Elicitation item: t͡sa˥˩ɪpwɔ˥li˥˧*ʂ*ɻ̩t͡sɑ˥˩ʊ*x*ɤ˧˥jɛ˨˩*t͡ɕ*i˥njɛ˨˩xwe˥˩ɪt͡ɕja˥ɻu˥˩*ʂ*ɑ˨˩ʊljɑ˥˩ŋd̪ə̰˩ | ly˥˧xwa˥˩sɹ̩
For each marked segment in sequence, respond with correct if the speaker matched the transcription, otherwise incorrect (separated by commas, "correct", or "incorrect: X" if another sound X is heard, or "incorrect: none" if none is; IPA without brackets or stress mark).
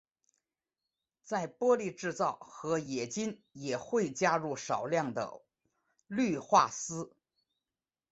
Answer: incorrect: ʈ͡ʂ, correct, correct, correct